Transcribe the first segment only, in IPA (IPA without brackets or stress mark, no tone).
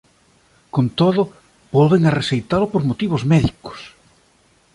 k